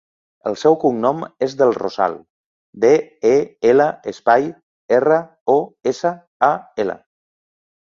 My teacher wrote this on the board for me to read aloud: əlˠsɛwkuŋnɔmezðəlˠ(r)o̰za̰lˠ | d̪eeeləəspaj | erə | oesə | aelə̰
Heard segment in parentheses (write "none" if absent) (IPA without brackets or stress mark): r